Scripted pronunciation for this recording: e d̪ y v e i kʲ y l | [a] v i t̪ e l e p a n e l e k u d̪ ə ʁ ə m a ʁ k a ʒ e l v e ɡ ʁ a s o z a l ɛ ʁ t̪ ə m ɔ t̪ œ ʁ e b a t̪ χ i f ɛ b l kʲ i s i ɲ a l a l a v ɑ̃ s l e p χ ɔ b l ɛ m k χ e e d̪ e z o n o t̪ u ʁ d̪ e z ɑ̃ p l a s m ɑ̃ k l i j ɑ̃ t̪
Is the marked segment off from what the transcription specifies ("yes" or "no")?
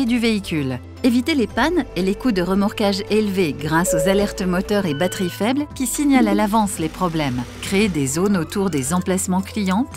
yes